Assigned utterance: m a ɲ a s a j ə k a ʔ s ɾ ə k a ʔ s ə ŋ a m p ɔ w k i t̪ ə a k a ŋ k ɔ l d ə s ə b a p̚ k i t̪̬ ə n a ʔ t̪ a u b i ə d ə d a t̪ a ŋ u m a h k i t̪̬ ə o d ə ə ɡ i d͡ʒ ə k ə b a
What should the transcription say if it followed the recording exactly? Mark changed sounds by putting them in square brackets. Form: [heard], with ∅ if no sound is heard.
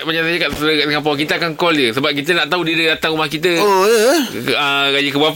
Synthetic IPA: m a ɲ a s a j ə k a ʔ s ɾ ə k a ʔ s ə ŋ a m p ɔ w k i t̪ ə a k a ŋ k ɔ l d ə s ə b a p̚ k i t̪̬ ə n a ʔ t̪ a u [d] i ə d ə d a t̪ a ŋ u m a h k i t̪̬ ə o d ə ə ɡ [a] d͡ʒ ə k ə b a